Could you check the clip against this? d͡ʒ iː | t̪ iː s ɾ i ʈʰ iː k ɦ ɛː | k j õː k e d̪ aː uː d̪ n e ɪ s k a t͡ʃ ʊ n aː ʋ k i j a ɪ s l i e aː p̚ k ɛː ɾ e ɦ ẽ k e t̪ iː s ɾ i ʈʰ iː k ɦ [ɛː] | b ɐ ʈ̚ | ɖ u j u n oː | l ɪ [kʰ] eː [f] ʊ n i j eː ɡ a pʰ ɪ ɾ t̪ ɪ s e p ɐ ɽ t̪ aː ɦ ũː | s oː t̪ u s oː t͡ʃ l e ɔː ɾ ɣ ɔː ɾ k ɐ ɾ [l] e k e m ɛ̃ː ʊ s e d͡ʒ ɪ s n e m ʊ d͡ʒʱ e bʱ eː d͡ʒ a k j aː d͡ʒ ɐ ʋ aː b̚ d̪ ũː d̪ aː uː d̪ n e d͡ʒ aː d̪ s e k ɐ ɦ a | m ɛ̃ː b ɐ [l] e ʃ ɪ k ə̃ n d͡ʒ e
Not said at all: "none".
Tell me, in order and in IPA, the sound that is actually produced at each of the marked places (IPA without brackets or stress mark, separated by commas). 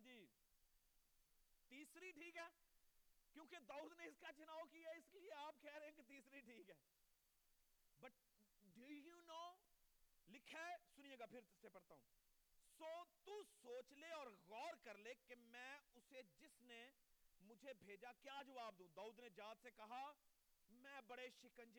ɛː, kʰ, s, l, ɽ